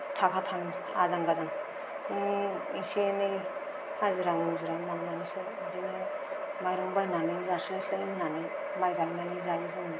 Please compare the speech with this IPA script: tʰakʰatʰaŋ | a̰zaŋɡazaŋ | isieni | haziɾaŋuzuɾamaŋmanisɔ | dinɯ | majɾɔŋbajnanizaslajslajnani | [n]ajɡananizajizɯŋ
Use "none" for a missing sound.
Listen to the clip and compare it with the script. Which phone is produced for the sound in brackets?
m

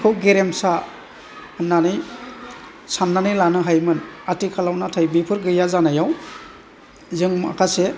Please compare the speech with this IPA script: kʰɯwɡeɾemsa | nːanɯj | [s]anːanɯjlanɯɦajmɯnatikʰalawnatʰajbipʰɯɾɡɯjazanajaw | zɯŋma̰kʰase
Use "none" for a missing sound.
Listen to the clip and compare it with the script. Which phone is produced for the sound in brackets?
s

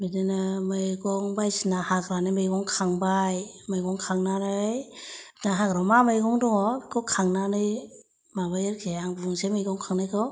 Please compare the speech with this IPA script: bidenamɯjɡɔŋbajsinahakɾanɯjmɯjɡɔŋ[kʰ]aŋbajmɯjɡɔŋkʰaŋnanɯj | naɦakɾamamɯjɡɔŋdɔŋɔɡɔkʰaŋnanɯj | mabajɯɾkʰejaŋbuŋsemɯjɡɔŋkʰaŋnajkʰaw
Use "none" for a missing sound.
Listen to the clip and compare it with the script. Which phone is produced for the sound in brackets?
kʰ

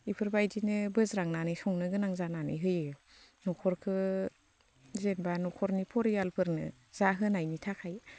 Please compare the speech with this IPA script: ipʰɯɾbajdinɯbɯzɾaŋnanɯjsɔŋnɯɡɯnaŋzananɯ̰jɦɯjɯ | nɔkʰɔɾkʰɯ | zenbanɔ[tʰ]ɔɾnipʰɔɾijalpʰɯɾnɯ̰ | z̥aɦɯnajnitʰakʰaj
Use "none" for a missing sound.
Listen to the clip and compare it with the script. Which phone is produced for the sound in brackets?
kʰ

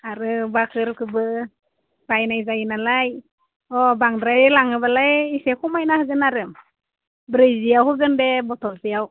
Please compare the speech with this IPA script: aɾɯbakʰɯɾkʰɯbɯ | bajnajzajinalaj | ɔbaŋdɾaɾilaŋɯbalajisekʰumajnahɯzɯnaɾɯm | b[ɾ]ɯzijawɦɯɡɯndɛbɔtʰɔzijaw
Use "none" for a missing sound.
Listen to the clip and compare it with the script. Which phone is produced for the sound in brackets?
ɾ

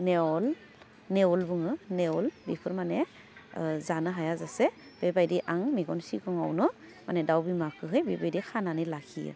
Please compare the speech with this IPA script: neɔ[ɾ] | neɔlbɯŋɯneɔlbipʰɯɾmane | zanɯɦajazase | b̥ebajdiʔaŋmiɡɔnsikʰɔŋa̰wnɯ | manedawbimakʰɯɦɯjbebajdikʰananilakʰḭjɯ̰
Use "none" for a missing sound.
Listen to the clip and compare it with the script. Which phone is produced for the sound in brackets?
l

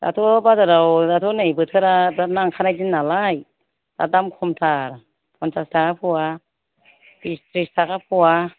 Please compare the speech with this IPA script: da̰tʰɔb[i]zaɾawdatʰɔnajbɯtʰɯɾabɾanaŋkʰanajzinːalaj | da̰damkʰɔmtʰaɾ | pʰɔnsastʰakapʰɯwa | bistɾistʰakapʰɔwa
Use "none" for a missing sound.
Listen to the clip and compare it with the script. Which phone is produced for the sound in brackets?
a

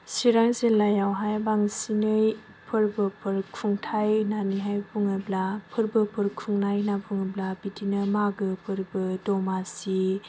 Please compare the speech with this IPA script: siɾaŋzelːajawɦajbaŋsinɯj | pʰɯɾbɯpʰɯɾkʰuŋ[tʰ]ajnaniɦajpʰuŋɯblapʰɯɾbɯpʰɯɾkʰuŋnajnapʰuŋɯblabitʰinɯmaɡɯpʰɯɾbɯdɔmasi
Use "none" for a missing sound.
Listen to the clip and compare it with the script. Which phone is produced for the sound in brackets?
tʰ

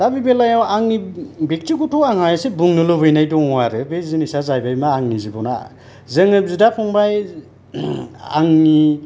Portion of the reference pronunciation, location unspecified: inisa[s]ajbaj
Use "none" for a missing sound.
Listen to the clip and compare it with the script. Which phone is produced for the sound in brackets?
z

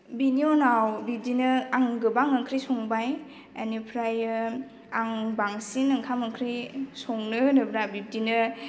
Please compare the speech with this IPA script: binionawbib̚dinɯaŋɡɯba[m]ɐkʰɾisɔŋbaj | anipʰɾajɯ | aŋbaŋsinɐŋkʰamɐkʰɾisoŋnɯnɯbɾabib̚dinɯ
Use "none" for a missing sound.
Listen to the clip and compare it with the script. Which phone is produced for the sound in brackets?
ŋ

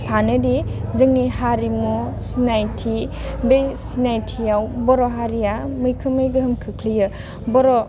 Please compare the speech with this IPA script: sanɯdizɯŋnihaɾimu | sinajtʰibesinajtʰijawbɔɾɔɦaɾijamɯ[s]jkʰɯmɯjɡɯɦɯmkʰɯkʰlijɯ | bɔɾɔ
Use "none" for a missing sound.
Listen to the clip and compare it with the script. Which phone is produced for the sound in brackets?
none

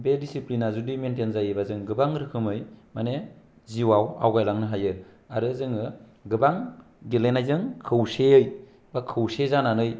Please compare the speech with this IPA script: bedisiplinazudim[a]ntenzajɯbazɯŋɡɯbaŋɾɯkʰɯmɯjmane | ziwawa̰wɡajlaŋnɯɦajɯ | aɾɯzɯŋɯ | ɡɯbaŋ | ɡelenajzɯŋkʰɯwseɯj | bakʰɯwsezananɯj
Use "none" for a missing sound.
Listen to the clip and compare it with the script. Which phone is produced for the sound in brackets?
e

